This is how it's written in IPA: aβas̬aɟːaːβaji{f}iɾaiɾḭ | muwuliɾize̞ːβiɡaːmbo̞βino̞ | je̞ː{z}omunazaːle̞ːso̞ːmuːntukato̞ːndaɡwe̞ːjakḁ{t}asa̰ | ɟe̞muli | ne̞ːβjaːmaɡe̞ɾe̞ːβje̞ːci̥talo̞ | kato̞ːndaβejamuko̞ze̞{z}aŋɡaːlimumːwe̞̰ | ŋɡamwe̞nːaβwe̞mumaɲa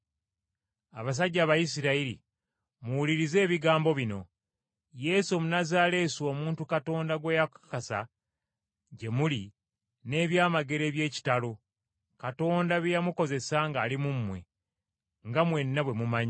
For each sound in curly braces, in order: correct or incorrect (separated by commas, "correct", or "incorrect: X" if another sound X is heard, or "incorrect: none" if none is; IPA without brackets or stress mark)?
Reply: incorrect: s, incorrect: s, incorrect: k, incorrect: s